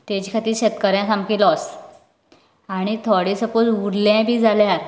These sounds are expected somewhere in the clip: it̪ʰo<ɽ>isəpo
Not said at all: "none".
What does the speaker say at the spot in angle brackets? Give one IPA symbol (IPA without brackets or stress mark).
ɽ